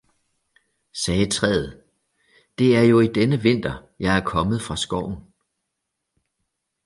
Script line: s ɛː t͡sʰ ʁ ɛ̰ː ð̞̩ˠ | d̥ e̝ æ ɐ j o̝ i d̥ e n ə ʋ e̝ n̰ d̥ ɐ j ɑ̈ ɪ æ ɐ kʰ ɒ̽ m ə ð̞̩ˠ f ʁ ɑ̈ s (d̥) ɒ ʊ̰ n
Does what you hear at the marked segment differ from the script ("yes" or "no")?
yes